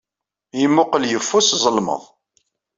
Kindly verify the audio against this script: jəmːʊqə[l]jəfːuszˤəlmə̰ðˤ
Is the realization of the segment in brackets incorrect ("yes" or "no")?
no